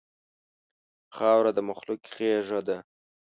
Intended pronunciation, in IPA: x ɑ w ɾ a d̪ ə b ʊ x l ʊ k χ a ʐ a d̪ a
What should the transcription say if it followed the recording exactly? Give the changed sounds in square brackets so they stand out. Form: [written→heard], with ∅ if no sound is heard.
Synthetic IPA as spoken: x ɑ w ɾ a d̪ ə [b→m] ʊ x l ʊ k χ [a→e] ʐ a d̪ a